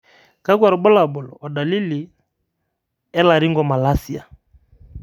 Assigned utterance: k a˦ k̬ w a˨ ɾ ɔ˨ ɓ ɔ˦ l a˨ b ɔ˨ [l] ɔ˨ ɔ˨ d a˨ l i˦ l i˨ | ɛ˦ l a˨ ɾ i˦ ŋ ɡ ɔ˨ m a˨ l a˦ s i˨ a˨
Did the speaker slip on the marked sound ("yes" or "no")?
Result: no